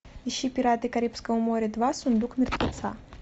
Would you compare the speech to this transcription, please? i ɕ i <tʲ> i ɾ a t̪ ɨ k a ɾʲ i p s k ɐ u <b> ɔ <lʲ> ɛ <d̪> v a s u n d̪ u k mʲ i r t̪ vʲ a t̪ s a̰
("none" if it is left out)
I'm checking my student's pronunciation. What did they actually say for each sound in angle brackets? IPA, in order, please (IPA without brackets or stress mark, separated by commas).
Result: pʲ, m, ɾʲ, d̪